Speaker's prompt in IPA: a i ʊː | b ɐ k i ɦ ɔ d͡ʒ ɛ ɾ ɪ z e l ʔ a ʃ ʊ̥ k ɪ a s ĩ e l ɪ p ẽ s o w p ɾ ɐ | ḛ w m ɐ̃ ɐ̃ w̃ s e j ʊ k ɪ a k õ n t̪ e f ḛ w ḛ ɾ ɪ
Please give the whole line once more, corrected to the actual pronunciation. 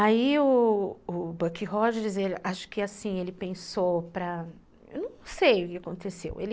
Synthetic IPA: a i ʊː | b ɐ k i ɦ ɔ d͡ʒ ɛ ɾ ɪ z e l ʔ a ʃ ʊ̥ k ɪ a s ĩ e l ɪ p ẽ s o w p ɾ ɐ | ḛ w n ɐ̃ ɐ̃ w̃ s e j ʊ k ɪ a k õ n t̪ e s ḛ w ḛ l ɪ

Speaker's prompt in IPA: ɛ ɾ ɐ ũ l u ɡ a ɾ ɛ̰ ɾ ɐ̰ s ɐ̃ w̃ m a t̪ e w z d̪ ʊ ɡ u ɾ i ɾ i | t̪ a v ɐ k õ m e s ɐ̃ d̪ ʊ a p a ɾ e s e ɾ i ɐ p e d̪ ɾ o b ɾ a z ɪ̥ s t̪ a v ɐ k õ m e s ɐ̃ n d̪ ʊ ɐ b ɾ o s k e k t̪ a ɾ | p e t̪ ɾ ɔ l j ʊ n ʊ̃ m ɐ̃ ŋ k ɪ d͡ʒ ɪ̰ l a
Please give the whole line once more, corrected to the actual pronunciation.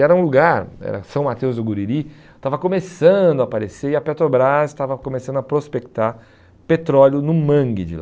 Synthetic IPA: ɛ ɾ ɐ ũ l u ɡ a ɾ ɛ̰ ɾ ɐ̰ s ɐ̃ w̃ m a t̪ e w z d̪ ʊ ɡ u ɾ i ɾ i | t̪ a v ɐ k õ m e s ɐ̃ d̪ ʊ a p a ɾ e s e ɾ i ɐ p e t̪ ɾ o b ɾ a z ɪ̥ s t̪ a v ɐ k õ m e s ɐ̃ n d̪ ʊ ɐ p ɾ o s p e k t̪ a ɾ | p e t̪ ɾ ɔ l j ʊ n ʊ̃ m ɐ̃ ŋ ɡ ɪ d͡ʒ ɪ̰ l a

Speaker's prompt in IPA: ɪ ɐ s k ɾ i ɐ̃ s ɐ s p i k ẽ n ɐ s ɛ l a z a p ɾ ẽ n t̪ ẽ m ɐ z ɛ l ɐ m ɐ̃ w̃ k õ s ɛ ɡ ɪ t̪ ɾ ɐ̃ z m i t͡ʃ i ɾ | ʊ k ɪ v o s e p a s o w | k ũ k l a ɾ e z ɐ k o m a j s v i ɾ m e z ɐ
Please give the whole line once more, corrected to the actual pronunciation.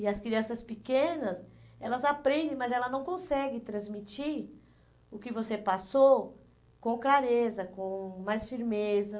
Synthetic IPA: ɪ ɐ s k ɾ i ɐ̃ s ɐ s p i k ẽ n ɐ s ɛ l ɐ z a p ɾ ẽ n d̪ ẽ m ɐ z ɛ l ɐ n ɐ̃ w̃ k õ s ɛ ɡ ɪ t̪ ɾ ɐ̃ z m i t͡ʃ i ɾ | ʊ k ɪ v o s e p a s o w | k õ k l a ɾ e z ɐ k õ m a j s f i ɾ m e z ɐ

